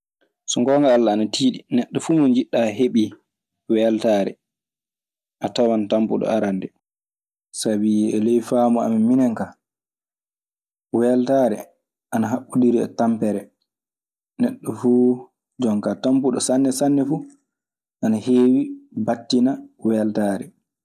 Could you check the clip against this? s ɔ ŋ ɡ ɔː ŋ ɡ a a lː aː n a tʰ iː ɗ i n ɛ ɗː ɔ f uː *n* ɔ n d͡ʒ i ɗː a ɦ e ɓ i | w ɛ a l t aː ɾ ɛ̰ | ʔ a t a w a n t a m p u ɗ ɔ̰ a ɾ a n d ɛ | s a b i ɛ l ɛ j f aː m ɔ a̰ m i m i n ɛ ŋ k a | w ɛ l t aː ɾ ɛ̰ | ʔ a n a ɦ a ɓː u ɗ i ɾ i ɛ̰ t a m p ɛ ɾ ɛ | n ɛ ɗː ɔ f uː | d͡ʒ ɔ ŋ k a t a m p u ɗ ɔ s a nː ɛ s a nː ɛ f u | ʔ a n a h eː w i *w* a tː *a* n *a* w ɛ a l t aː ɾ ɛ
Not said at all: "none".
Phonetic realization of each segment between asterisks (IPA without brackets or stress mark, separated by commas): m, b, i, a